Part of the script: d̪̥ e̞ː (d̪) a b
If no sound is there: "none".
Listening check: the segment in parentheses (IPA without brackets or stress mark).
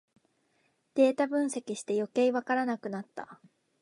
t̪